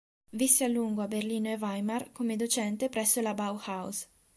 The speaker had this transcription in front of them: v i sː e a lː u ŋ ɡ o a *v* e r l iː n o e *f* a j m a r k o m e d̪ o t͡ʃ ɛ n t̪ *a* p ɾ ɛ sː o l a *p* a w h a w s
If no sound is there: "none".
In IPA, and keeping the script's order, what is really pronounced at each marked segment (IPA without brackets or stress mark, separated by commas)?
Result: b, v, e, b